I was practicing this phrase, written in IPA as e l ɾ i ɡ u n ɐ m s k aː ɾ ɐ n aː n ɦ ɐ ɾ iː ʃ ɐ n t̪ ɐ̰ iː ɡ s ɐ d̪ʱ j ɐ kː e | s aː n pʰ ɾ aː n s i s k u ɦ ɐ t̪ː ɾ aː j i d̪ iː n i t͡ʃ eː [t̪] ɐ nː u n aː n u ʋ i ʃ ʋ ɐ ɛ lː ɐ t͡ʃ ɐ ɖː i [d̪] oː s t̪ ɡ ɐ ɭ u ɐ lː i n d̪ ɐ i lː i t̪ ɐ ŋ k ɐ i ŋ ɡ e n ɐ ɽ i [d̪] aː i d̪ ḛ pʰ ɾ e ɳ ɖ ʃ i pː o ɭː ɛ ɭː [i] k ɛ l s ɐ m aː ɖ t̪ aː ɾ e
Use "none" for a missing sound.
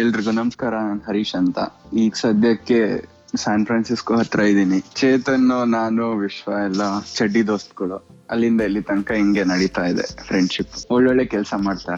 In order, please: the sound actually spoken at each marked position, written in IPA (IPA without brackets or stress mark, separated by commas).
t̪, d̪, t̪, e